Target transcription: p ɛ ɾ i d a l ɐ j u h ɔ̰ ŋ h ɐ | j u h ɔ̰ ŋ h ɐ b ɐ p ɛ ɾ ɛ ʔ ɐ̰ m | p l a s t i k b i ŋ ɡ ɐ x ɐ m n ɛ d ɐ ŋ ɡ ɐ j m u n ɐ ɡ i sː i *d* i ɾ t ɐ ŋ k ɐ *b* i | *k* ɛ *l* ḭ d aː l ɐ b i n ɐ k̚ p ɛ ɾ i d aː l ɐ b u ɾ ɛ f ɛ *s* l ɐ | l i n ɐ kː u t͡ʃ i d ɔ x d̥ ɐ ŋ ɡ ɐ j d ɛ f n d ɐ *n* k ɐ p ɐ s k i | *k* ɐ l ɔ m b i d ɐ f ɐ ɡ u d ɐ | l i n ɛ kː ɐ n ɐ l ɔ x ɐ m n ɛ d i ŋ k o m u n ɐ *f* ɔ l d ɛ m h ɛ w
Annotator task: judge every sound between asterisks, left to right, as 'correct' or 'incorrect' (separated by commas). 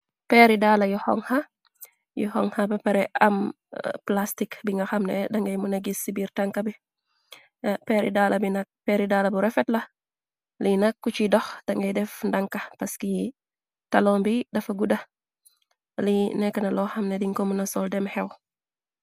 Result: incorrect, correct, incorrect, incorrect, incorrect, incorrect, incorrect, incorrect